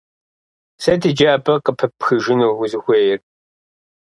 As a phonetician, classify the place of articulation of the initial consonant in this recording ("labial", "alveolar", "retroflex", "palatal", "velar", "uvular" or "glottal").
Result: alveolar